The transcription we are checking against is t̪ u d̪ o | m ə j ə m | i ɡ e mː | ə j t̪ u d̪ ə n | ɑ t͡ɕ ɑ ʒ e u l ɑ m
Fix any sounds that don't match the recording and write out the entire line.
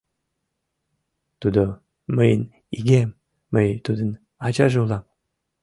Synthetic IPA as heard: t̪ u d̪ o | m ə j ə n | i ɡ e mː | ə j t̪ u d̪ ə n | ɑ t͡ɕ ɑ ʒ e u l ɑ m

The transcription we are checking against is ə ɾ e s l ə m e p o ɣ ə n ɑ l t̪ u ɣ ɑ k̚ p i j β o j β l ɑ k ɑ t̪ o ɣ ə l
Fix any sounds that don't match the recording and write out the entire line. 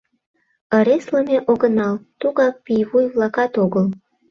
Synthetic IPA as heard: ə ɾ e s l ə m e ʔ o ɣ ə n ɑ l t̪ u ɣ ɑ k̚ p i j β u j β l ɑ k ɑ t̪ o ɣ ə l

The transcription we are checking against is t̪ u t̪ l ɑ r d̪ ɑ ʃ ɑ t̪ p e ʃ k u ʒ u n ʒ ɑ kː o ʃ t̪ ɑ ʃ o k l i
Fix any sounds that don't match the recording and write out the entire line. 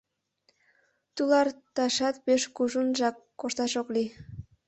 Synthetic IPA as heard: t̪ u l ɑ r t̪ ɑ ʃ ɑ t̪ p e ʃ k u ʒ u n ʒ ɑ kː o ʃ t̪ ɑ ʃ o k l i

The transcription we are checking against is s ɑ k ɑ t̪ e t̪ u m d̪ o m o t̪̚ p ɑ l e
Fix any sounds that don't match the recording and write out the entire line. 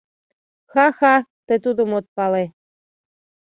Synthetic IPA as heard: x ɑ x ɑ t̪ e t̪ u d̪ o m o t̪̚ p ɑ l e

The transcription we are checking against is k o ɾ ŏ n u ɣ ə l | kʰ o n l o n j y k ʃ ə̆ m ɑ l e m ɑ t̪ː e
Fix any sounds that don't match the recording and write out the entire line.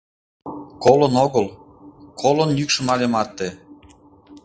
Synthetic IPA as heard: k o l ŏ n o ɣ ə l | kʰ o l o n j y k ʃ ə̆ m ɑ l e m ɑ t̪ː e

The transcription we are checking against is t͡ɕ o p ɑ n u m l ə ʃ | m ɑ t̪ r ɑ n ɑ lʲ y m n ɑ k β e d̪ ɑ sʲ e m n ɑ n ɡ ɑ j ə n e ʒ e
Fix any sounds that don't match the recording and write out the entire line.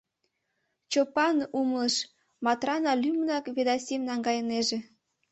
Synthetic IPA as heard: t͡ɕ o p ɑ n u m l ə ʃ | m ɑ t̪ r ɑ n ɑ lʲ y m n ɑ k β e d̪ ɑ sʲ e m n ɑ ŋ ɡ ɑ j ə n e ʒ e

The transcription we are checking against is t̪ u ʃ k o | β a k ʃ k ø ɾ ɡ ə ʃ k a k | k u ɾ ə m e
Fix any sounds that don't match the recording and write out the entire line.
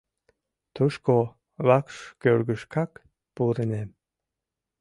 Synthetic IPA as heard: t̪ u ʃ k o | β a k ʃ k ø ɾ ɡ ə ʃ k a k | p u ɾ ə n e

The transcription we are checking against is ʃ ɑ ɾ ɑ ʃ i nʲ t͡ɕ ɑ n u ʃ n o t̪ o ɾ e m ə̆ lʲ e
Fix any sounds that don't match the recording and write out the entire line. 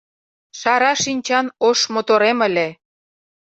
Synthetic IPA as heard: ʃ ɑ ɾ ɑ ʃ i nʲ t͡ɕ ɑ n o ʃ m o t̪ o ɾ e m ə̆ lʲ e

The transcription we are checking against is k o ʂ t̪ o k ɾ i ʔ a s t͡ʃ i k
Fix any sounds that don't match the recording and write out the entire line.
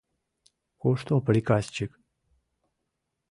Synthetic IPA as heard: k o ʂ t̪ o p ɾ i k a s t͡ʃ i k

